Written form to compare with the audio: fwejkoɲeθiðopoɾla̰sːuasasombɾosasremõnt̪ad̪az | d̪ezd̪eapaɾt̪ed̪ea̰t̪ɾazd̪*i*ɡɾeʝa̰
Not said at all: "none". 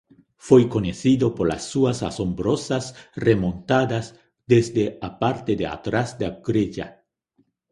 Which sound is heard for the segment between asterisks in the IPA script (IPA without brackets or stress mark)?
a